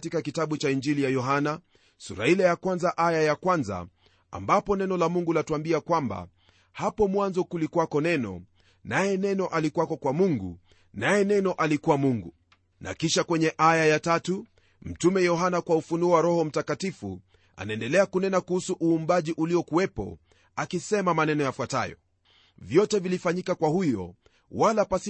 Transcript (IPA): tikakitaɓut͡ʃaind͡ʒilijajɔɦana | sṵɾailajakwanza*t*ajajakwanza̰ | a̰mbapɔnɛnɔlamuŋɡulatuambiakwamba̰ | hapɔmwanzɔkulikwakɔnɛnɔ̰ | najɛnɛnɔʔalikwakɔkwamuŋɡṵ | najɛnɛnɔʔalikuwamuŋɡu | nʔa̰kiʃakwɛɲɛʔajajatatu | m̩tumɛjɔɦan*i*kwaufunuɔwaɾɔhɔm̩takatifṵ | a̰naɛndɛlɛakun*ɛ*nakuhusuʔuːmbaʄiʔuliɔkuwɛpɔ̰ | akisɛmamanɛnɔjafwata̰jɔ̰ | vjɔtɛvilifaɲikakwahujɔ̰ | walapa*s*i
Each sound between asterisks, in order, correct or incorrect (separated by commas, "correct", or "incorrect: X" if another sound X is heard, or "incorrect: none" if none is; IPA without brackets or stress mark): incorrect: ʔ, incorrect: a, correct, correct